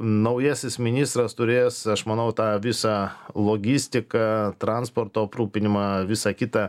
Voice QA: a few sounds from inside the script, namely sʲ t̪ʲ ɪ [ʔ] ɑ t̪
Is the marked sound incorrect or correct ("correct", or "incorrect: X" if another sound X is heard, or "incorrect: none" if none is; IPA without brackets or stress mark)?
incorrect: k